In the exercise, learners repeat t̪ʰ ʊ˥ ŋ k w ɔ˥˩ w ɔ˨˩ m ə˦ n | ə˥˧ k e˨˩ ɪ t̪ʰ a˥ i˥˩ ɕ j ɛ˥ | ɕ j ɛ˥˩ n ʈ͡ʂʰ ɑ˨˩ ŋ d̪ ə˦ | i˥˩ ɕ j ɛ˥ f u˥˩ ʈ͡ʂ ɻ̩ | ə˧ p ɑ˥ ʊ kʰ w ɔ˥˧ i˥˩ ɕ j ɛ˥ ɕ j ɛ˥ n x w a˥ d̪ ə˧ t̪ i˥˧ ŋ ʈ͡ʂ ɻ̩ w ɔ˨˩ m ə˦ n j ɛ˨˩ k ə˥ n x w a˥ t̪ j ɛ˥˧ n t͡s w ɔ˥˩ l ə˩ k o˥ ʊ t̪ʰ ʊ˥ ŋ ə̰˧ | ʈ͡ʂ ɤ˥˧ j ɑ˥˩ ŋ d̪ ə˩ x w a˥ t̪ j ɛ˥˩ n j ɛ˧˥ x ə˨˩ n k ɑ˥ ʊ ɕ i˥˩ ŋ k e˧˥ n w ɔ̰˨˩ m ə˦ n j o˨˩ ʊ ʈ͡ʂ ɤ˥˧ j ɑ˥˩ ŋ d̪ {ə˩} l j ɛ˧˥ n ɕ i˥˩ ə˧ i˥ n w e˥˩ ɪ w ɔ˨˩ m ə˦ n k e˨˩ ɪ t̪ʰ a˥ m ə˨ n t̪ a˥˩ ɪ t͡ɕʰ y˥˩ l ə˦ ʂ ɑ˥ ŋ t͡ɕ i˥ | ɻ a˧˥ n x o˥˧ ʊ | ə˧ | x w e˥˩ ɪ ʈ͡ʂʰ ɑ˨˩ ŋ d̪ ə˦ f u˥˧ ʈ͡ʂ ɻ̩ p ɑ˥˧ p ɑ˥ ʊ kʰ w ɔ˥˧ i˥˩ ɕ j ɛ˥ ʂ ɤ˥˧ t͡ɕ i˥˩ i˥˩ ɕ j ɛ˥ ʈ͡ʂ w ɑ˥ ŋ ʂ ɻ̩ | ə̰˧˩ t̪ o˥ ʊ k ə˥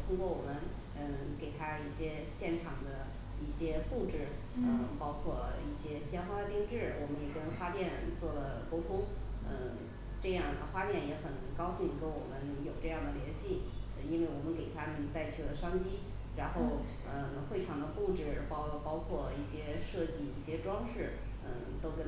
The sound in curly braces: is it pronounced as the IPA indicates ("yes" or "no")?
yes